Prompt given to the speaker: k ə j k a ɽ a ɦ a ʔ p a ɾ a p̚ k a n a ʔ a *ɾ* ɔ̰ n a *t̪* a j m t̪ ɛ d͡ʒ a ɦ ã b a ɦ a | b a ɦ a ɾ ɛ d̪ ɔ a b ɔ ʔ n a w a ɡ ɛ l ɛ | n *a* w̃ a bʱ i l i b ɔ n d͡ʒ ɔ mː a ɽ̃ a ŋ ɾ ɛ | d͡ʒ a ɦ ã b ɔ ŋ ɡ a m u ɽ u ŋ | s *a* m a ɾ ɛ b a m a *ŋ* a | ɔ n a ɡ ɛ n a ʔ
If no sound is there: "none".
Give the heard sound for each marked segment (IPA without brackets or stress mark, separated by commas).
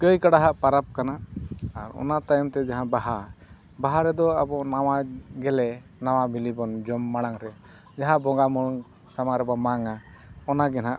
ɾ, t̪, a, a, ŋ